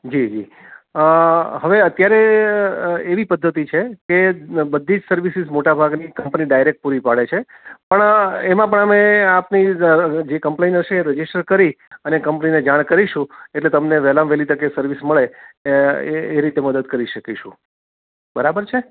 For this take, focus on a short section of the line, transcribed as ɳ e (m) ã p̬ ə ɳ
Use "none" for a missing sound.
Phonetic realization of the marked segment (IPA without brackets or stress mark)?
m